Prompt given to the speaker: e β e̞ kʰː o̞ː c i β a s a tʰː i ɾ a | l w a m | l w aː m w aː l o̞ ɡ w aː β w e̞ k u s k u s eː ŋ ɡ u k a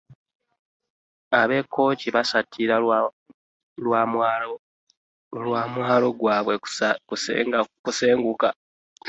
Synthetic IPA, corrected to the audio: a β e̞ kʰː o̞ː c i β a s a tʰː i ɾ a | l w a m | l w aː m w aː l o̞ ɡ w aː β w e̞ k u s k u s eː ŋ ɡ u k a